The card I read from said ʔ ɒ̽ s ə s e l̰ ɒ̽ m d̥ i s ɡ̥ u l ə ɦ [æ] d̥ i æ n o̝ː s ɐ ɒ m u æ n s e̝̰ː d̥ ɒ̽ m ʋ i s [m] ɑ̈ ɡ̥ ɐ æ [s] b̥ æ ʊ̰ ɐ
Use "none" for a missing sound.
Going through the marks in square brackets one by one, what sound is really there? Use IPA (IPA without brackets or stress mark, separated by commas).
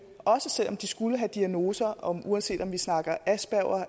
æ, n, s